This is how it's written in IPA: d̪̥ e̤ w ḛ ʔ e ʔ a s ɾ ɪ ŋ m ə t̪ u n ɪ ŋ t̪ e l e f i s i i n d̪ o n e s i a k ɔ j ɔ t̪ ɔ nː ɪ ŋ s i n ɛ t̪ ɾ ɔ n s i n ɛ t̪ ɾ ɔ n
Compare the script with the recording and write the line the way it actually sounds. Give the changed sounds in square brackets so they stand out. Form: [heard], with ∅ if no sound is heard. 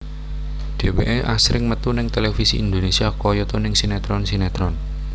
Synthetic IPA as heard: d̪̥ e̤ w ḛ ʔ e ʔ a s ɾ ɪ ŋ m ə t̪ u n ɪ ŋ t̪ e l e f i s i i n d̪ o n e s i a k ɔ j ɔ t̪ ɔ [n] ɪ ŋ s i n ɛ t̪ ɾ ɔ n s i n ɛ t̪ ɾ ɔ n